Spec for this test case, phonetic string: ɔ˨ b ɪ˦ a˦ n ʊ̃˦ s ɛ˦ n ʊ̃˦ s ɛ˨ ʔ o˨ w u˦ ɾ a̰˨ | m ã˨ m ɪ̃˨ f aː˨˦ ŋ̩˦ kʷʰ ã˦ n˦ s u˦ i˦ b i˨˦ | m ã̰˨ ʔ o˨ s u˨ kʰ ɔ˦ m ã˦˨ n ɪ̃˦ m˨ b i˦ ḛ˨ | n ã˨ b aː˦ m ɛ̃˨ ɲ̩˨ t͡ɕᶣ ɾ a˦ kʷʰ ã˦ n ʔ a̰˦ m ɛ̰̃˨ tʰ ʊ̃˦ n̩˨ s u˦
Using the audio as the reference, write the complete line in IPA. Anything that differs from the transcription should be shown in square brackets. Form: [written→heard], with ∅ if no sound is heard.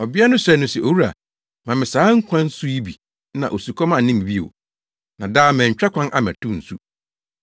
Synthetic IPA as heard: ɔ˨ b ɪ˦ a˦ n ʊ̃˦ s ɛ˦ n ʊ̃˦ s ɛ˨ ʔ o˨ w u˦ ɾ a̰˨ | m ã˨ m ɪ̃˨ [f→s] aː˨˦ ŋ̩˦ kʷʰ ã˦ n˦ s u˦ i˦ b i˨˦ | [m→n] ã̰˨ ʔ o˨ s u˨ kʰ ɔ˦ m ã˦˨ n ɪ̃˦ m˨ b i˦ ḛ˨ | n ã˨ [b→d] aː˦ m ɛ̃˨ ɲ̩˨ t͡ɕᶣ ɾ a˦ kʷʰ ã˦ n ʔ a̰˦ m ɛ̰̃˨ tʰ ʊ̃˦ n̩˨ s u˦